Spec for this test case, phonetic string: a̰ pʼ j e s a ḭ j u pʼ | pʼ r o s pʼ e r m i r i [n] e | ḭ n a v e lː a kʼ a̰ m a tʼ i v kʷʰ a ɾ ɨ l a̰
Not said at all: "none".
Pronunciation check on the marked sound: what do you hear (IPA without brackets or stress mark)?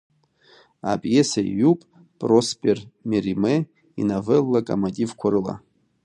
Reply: m